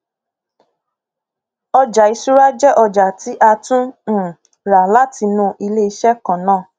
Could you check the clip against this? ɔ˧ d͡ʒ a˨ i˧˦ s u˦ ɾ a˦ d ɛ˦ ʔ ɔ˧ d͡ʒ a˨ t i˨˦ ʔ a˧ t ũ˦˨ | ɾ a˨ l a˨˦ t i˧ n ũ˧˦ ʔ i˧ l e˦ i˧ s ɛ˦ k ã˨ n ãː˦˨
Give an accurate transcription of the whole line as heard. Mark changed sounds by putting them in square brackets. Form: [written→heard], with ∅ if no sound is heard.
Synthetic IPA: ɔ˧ d͡ʒ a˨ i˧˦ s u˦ ɾ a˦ [d→d͡ʒ] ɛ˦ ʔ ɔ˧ d͡ʒ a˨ t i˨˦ ʔ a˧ t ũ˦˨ | ɾ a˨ l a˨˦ t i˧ n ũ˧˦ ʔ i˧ l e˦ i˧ [s→ʃ] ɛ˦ k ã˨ n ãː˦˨